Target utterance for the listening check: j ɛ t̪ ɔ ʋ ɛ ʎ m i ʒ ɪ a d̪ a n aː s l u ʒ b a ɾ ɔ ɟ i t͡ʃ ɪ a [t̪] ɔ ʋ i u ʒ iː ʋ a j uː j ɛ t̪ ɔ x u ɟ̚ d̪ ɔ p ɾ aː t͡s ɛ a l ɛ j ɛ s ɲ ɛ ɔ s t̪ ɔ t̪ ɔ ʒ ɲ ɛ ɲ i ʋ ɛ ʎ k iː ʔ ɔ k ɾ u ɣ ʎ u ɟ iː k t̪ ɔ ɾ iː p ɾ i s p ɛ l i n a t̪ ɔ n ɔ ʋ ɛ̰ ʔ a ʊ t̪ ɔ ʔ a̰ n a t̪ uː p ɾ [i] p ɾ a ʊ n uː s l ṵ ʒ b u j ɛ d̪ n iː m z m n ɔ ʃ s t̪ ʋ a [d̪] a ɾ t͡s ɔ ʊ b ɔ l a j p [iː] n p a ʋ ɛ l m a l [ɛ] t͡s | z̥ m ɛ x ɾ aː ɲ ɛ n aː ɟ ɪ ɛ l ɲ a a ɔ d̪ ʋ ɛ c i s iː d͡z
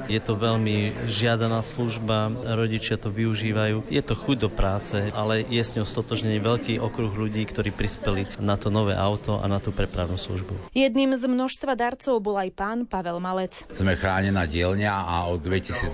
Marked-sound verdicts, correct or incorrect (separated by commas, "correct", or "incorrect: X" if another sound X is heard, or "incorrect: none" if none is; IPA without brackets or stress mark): correct, incorrect: ɛ, correct, incorrect: aː, correct